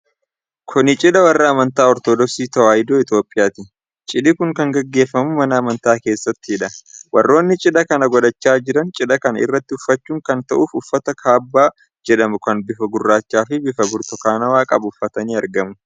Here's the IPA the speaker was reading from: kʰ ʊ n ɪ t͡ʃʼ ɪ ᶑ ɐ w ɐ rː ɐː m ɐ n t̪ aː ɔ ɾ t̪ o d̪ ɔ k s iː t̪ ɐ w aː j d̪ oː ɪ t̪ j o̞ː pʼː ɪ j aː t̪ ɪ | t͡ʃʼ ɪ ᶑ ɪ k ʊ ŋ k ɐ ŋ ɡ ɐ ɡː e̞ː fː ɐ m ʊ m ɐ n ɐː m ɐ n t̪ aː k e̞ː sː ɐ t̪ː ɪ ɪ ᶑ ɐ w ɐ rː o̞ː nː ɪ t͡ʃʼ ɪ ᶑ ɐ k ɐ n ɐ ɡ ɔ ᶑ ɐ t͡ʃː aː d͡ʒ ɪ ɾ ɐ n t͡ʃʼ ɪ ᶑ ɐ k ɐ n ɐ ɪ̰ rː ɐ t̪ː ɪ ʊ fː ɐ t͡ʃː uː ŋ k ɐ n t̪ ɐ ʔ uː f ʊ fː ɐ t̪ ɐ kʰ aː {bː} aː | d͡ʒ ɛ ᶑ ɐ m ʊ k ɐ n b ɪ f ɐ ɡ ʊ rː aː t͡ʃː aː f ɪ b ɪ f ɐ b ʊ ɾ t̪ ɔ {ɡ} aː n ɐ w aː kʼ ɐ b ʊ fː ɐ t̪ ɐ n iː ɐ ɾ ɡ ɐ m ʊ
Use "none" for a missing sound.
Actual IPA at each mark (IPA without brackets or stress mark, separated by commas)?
bː, k